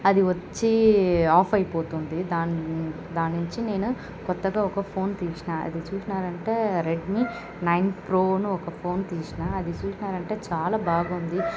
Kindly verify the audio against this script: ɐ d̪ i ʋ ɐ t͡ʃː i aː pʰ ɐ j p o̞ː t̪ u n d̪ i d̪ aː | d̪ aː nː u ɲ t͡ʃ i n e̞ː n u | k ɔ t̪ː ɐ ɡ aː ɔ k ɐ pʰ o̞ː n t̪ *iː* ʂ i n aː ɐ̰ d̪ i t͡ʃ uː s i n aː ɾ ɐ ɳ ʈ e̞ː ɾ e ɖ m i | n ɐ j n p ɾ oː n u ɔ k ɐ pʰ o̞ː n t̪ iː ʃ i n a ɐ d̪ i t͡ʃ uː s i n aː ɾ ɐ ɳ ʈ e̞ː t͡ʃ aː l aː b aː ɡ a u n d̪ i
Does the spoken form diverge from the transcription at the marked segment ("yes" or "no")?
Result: no